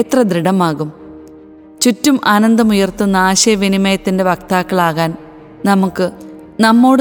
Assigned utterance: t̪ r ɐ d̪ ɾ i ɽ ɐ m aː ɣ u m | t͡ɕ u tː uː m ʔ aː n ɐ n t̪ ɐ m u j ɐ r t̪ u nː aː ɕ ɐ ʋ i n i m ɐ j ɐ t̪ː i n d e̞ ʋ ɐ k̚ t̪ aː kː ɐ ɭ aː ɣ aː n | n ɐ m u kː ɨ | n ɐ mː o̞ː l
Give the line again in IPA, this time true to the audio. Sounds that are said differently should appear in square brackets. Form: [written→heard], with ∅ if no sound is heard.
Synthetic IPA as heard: t̪ r ɐ d̪ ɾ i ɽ ɐ m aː ɣ u m | t͡ɕ u tː [uː→u] m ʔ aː n ɐ n [t̪→d̪] ɐ m u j ɐ r t̪ u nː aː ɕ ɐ ʋ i n i m ɐ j ɐ t̪ː i n d e̞ ʋ ɐ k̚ t̪ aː kː ɐ ɭ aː ɣ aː n | n ɐ m u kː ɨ | n ɐ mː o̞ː [l→ɽ]